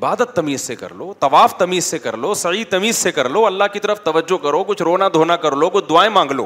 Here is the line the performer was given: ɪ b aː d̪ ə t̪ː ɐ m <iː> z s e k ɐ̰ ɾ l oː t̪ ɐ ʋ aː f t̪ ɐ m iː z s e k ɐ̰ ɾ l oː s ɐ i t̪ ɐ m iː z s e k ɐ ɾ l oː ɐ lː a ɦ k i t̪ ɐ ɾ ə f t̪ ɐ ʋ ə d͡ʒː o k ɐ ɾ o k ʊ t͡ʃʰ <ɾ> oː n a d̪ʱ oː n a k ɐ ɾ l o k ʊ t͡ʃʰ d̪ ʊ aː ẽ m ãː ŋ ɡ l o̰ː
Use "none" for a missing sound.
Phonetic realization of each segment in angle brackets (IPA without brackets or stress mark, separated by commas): iː, ɾ